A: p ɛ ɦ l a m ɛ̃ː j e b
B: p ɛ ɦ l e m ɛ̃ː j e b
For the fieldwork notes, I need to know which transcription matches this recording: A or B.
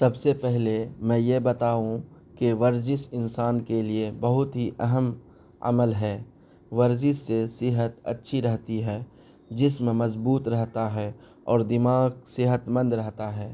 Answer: B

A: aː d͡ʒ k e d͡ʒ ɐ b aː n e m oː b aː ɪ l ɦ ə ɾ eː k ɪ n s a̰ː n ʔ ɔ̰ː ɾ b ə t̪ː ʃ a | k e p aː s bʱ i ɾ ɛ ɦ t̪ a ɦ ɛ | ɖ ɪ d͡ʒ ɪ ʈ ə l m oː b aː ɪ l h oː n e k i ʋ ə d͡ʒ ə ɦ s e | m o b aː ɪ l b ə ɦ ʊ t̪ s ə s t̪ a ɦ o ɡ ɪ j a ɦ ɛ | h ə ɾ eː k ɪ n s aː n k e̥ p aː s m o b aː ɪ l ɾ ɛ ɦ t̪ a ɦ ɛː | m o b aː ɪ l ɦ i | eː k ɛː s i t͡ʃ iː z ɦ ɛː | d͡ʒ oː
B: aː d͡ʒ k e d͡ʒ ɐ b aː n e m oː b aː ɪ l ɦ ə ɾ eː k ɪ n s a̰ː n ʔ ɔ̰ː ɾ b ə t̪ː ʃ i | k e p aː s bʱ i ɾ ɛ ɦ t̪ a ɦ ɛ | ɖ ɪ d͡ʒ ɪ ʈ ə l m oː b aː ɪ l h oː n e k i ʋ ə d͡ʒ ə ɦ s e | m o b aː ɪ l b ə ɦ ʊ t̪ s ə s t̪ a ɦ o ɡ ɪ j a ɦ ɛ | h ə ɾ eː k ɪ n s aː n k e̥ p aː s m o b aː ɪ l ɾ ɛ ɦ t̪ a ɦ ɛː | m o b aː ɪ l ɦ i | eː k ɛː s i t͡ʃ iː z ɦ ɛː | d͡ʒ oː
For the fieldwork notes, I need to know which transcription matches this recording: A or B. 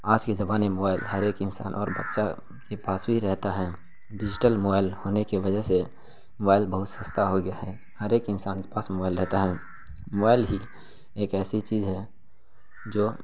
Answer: A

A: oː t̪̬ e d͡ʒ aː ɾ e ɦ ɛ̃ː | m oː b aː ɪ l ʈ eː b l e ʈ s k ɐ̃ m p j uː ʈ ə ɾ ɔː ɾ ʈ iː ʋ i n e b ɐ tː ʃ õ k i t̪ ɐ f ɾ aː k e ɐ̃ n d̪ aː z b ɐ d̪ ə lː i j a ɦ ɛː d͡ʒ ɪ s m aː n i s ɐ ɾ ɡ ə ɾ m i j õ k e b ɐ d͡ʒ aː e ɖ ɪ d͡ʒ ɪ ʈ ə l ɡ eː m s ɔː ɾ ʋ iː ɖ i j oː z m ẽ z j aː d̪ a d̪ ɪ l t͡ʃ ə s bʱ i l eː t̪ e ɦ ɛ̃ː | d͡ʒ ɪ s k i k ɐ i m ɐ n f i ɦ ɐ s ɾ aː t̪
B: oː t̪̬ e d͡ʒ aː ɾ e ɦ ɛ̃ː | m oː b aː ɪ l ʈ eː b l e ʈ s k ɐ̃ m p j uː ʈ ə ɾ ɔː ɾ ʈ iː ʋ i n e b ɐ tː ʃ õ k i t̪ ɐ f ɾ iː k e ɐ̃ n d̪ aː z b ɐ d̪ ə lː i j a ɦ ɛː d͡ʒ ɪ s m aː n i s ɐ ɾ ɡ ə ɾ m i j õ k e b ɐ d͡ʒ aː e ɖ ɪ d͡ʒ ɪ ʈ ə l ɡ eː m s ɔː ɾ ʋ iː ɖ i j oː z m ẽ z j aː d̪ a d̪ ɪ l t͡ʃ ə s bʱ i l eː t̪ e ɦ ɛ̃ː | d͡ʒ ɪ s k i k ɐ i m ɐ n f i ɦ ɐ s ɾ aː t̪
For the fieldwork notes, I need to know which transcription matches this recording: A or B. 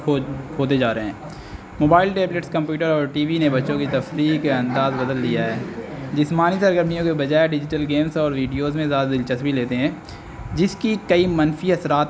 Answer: B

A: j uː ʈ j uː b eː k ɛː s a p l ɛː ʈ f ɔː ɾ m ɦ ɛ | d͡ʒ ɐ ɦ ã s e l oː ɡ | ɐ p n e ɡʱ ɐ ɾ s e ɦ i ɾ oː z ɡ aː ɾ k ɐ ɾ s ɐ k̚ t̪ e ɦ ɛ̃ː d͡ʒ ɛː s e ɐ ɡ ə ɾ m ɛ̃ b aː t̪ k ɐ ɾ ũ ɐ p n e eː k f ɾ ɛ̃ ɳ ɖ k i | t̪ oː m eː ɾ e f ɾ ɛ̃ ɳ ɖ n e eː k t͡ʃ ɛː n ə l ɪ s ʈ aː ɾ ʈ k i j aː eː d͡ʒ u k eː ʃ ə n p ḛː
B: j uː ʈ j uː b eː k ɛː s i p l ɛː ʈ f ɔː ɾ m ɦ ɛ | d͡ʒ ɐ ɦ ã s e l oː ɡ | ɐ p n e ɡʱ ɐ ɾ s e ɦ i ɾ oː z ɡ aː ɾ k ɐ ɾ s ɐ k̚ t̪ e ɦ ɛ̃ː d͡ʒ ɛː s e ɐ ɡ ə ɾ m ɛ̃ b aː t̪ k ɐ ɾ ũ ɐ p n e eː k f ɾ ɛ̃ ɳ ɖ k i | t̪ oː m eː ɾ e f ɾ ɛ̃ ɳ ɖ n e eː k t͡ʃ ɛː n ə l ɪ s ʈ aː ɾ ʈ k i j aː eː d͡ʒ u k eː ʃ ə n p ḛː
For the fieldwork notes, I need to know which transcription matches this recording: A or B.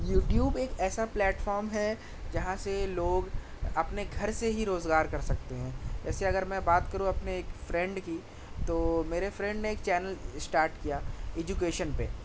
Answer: A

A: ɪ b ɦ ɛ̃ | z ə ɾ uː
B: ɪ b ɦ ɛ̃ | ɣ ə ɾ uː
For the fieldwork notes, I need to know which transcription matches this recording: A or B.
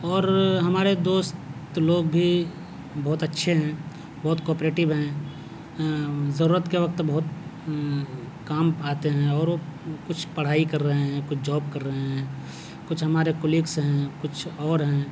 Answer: A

